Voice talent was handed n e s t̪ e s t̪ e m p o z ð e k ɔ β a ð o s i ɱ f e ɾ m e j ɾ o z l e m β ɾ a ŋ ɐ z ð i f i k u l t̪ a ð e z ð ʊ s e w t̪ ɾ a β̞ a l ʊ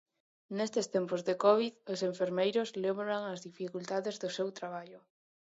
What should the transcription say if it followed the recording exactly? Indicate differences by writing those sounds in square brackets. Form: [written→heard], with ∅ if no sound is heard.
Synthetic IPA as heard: n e s t̪ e s t̪ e m p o z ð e k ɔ β [a→i] ð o s [i→e] ɱ f e ɾ m e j ɾ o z l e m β ɾ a ŋ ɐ z ð i f i k u l t̪ a ð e z ð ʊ s e w t̪ ɾ a β̞ a [l→ʎ] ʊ